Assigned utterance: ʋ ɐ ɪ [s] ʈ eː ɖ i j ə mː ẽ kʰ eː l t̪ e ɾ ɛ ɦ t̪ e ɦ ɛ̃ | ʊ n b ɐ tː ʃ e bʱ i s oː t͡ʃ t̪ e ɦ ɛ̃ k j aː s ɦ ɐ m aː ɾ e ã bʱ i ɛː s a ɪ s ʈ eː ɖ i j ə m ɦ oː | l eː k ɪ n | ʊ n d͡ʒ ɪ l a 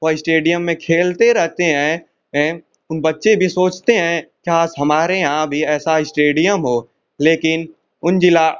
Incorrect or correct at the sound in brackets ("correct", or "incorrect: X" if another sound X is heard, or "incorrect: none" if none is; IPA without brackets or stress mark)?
correct